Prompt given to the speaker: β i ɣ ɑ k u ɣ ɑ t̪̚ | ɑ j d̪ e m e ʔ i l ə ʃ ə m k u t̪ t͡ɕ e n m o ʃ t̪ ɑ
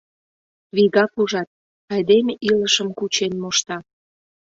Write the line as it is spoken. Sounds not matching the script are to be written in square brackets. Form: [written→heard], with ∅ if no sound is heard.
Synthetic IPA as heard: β i ɣ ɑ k u [ɣ→ʒ] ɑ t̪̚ | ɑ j d̪ e m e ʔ i l ə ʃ ə m k u [t̪→∅] t͡ɕ e n m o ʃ t̪ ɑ